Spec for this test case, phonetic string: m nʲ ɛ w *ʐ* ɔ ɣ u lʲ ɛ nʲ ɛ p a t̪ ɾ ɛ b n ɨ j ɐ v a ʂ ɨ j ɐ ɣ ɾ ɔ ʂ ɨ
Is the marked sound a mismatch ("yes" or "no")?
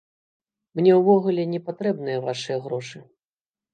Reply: yes